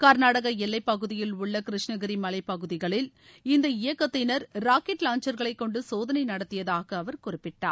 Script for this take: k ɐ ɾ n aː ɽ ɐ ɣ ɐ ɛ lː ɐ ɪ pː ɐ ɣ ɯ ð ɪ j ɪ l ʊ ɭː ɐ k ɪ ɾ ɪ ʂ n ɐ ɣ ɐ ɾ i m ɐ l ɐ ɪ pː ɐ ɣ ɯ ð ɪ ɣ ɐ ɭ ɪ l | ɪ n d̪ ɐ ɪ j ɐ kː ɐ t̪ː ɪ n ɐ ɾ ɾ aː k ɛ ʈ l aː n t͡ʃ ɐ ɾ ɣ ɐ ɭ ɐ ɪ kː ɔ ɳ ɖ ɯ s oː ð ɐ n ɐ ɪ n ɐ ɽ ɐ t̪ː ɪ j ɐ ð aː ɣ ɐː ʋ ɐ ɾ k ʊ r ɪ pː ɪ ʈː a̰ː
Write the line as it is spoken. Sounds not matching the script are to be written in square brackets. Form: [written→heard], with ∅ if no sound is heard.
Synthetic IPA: k ɐ ɾ n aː ɽ ɐ ɣ ɐ ɛ lː ɐ ɪ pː ɐ ɣ ɯ ð ɪ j ɪ l ʊ ɭː ɐ k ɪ ɾ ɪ ʂ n ɐ ɣ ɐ ɾ i m ɐ l ɐ ɪ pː ɐ ɣ ɯ ð ɪ ɣ ɐ ɭ ɪ l | ɪ n d̪ ɐ ɪ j ɐ kː ɐ t̪ː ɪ n ɐ ɾ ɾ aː k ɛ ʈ l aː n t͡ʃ ɐ ɾ ɣ ɐ ɭ ɐ ɪ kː ɔ ɳ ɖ ɯ s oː ð ɐ n ɐ ɪ n ɐ ɽ ɐ t̪ː ɪ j ɐ ð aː ɣ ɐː ʋ ɐ ɾ k ʊ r ɪ pː ɪ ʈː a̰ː